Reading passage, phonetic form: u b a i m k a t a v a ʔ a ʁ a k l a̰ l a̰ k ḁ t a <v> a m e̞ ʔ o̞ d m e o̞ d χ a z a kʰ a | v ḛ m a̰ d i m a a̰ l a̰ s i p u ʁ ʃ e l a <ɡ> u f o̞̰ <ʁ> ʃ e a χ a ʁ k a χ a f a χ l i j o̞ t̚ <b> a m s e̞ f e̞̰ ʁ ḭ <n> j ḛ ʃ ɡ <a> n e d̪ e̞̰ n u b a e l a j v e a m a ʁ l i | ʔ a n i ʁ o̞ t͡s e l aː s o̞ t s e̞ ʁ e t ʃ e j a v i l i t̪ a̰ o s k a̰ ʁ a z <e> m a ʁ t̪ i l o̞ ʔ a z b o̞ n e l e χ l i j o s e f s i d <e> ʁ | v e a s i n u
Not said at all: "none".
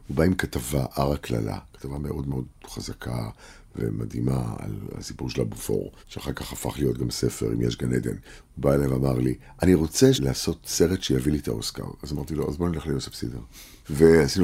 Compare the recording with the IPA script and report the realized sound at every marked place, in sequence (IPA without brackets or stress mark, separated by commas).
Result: v, b, ʁ, ɡ, m, a, a, e